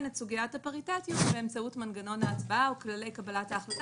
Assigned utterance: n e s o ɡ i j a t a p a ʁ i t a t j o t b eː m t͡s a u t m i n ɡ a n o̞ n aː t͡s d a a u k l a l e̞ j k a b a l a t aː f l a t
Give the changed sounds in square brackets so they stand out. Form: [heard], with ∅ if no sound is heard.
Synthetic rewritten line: n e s [u] ɡ i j a t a p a ʁ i t a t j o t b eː m t͡s a u t m [a] n ɡ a n o̞ n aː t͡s [b] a a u k l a l e̞ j k a b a l a t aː [χ] l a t